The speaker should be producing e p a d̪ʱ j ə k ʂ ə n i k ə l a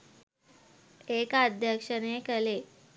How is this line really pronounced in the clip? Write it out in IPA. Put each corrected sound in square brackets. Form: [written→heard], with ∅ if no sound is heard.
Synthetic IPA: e [p→k] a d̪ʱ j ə k ʂ ə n [i→e] k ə l [a→e]